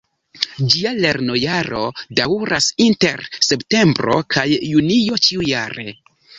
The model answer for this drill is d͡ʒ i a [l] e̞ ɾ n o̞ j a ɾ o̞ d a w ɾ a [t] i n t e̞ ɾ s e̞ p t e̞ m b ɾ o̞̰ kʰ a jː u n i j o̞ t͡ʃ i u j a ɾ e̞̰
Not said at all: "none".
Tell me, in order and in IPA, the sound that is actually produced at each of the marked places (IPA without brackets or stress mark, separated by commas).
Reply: l, s